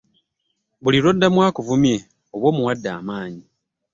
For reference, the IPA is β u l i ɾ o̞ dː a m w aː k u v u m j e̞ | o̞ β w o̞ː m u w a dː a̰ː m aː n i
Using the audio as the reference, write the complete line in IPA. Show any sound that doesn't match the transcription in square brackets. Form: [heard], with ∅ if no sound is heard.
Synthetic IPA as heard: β u l i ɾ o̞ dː a m w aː k u v u m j e̞ | o̞ β w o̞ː m u w a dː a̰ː m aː [ɲ] i